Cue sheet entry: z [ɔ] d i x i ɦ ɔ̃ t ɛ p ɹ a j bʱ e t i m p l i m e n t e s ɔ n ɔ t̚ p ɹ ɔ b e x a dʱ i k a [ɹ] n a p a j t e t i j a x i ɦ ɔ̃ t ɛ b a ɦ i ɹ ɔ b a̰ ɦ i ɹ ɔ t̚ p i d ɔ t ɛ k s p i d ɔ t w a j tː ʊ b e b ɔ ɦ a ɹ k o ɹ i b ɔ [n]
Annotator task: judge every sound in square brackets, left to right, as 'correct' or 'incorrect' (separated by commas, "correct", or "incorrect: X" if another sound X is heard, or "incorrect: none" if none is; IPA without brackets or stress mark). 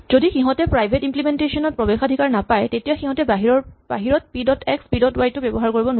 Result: incorrect: o, correct, correct